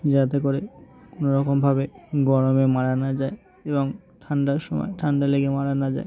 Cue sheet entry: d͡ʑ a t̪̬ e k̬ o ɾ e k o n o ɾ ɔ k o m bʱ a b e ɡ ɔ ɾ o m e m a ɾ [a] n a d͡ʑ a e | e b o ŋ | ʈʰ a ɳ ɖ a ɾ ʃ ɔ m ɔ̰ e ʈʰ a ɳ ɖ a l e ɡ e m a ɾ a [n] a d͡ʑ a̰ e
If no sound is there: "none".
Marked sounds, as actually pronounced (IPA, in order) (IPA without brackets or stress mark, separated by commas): a, n